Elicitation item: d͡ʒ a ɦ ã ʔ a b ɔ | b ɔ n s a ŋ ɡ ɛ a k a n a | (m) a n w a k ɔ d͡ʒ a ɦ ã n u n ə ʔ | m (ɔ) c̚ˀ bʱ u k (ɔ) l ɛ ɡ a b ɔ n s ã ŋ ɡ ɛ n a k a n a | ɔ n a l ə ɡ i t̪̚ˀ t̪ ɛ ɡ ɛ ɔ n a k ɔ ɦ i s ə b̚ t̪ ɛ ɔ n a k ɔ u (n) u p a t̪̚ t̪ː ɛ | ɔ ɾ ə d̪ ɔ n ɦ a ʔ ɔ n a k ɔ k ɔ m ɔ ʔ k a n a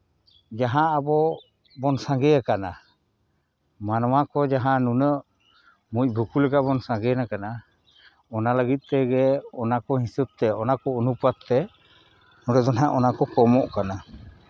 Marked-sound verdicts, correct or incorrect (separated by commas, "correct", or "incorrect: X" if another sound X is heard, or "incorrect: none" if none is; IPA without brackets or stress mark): correct, incorrect: u, incorrect: u, correct